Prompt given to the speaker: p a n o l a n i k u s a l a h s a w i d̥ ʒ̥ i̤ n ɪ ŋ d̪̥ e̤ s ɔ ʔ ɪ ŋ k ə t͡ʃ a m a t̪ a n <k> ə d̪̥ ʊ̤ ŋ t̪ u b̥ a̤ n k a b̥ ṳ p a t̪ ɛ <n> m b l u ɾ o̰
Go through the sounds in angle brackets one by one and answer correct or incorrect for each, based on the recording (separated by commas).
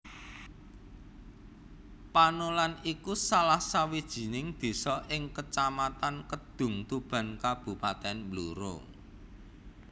correct, correct